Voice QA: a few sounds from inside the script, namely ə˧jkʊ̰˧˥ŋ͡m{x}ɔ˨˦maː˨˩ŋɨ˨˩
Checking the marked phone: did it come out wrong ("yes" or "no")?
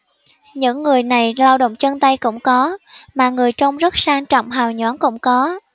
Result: yes